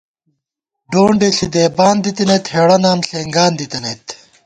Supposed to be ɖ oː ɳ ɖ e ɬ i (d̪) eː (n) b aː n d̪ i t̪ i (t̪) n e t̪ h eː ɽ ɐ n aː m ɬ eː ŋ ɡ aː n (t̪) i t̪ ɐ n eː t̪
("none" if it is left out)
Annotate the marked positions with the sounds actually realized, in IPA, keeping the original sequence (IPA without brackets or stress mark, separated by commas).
d̪, none, none, d̪